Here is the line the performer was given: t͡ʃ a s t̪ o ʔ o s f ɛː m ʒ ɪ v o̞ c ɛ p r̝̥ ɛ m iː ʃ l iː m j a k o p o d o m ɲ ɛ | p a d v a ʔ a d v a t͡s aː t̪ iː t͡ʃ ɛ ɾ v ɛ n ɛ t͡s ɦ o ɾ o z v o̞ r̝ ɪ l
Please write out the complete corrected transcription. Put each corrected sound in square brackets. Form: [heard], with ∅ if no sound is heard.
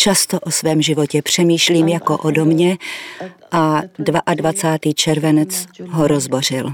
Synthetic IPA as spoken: t͡ʃ a s t̪ o ʔ o s [v] ɛː m ʒ ɪ v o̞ c ɛ p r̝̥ ɛ m iː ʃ l iː m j a k o [ʔ] o d o m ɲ ɛ | [ʔ] a d v a ʔ a d v a t͡s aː t̪ iː t͡ʃ ɛ ɾ v ɛ n ɛ t͡s ɦ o ɾ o z [b] o̞ r̝ ɪ l